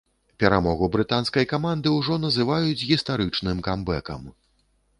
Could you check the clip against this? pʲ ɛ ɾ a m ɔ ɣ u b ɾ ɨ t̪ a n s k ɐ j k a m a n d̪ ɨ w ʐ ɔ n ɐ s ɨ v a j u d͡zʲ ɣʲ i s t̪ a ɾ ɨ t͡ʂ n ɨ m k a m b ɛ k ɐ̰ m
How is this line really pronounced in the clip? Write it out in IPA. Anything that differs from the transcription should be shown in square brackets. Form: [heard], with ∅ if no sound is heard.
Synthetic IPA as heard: pʲ ɛ ɾ a m ɔ ɣ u b ɾ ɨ t̪ a n s k ɐ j k a m a n d̪ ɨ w ʐ ɔ n ɐ [z] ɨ v a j u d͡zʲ ɣʲ i s t̪ a ɾ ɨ t͡ʂ n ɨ m k a m b ɛ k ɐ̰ m